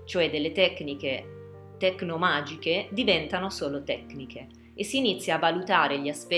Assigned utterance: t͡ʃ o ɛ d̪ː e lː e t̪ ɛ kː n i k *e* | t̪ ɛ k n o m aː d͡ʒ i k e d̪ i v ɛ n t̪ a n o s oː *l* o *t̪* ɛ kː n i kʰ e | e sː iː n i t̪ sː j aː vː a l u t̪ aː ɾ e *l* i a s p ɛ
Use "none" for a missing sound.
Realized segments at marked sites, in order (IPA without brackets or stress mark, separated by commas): e, l, t̪, ʎ